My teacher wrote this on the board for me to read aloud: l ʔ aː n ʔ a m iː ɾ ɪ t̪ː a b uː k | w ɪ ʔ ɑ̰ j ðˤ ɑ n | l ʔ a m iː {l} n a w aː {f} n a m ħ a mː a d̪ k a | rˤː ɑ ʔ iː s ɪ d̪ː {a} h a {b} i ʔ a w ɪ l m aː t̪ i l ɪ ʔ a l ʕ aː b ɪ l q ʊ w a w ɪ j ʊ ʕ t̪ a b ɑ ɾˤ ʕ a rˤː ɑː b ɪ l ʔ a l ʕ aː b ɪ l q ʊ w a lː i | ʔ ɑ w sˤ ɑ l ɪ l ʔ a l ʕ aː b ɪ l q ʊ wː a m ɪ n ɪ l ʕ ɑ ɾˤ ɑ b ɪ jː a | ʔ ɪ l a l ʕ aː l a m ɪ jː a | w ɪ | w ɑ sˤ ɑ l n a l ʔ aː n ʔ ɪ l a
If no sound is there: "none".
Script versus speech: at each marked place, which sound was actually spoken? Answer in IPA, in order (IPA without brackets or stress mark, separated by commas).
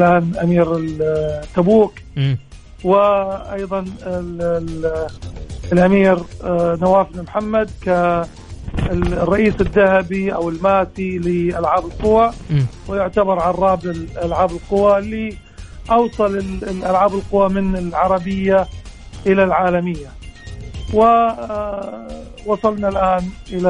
ɾ, f, a, b